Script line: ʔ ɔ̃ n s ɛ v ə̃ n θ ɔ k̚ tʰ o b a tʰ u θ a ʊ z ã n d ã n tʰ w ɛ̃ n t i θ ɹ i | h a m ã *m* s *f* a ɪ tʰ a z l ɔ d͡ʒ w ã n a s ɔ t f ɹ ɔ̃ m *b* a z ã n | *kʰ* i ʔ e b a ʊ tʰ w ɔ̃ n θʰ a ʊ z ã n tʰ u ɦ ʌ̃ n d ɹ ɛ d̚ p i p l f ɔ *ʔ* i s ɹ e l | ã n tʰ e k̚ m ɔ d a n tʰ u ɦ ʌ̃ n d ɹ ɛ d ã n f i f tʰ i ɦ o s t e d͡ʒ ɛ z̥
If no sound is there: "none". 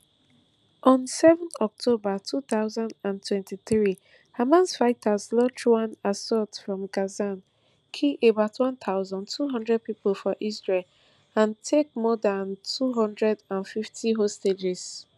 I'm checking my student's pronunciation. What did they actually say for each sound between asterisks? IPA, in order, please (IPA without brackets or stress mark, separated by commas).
n, f, ɡ, kʰ, ʔ